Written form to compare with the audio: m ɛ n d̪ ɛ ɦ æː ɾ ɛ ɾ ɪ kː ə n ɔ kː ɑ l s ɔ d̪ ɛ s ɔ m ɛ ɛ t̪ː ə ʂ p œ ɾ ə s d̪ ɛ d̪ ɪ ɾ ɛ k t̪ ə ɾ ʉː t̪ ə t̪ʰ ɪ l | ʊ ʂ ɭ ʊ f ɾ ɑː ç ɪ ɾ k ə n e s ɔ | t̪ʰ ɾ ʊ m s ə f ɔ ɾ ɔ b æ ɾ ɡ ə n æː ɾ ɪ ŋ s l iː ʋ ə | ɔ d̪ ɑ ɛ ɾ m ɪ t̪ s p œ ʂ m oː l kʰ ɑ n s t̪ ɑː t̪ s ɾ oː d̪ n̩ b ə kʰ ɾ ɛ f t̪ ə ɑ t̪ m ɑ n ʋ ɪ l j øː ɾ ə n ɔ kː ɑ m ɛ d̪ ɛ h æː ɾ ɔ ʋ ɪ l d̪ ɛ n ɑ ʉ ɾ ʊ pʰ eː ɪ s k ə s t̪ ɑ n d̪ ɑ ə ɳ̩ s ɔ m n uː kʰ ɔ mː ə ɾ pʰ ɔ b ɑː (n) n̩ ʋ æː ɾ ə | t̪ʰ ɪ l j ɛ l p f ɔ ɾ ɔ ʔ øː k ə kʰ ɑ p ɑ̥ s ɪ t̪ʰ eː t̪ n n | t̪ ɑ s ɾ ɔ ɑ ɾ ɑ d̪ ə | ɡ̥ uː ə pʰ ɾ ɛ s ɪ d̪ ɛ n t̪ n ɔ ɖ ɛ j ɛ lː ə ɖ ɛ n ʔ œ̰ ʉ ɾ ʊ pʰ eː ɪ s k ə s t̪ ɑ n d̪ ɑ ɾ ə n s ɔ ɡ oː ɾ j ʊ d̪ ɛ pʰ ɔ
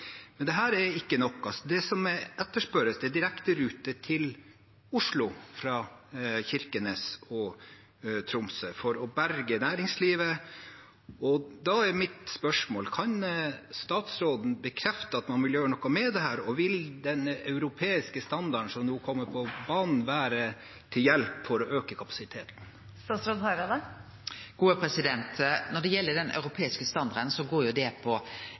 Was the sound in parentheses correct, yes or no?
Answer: yes